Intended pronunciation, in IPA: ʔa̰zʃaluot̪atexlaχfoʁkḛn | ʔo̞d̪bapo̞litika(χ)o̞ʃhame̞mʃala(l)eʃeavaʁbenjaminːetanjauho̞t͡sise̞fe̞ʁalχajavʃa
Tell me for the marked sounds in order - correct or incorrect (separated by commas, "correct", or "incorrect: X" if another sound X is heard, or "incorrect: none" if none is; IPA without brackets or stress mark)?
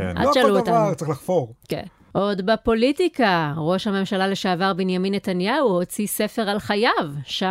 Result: incorrect: ʁ, correct